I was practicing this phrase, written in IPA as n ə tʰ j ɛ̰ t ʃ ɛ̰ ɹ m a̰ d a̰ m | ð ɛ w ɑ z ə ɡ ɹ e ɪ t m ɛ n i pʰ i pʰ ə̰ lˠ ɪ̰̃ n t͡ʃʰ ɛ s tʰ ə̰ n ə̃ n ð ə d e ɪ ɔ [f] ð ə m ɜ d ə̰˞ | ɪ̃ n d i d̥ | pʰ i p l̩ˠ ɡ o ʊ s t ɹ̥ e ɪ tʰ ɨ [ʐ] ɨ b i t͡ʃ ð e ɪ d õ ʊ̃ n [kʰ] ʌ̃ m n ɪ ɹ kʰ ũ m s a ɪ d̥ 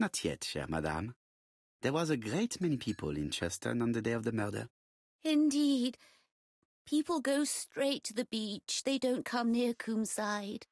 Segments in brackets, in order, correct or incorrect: incorrect: v, incorrect: ð, correct

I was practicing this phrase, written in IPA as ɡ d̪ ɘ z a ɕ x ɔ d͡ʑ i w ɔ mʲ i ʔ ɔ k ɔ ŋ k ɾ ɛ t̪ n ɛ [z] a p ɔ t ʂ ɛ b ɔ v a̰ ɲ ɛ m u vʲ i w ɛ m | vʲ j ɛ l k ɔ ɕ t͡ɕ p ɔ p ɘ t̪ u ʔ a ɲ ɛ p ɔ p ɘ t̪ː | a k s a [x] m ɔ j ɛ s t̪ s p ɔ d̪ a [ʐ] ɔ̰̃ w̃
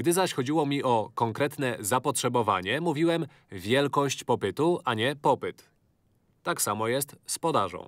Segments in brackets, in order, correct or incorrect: correct, incorrect: none, correct

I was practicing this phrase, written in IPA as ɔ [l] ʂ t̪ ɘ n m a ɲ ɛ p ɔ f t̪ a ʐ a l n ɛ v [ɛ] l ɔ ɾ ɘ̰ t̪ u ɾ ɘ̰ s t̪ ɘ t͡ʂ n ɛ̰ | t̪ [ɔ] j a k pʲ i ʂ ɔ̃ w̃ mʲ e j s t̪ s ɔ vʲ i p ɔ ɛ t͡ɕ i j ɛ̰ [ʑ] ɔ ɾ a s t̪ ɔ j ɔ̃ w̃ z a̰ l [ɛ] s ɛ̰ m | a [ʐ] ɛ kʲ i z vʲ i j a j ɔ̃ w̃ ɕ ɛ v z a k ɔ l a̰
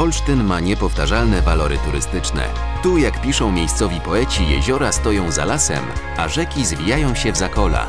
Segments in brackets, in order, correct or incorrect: correct, incorrect: a, incorrect: u, correct, incorrect: a, correct

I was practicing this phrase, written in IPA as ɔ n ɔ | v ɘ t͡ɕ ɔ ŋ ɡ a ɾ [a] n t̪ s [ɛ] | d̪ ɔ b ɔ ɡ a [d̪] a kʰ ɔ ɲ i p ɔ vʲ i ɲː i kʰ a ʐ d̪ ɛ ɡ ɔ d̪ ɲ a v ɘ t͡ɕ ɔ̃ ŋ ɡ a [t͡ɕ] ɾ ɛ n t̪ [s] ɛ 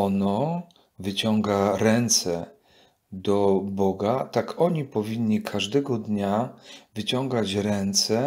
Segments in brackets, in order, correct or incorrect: incorrect: ɛ, correct, incorrect: t̪, correct, correct

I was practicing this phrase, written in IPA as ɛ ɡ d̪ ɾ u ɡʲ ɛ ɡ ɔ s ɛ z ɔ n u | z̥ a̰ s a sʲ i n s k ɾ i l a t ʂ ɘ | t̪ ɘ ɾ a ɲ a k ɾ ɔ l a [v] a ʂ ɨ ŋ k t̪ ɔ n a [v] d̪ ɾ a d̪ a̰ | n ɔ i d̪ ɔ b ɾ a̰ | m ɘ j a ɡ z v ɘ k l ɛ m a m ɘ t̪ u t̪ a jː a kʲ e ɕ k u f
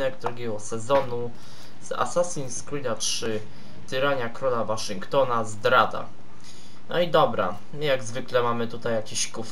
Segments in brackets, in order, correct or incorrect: correct, incorrect: z

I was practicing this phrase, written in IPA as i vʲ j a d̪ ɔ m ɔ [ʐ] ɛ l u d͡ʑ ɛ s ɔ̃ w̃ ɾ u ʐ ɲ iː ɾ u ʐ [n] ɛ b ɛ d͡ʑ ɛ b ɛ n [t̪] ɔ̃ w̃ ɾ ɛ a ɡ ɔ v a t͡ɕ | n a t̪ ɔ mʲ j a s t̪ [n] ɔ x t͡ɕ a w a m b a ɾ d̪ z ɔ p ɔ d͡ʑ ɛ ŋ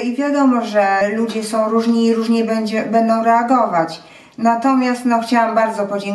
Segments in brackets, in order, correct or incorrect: correct, incorrect: ɲ, incorrect: d̪, correct

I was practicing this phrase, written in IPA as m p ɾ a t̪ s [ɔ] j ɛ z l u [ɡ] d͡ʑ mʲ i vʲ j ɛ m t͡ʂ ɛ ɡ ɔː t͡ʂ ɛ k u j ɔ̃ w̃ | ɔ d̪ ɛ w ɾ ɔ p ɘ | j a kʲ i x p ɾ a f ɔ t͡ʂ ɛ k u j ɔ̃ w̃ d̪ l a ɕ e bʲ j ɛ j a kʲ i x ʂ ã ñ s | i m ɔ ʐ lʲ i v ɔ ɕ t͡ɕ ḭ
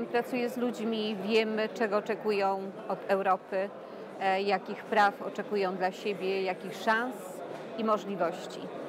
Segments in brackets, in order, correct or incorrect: incorrect: u, incorrect: none

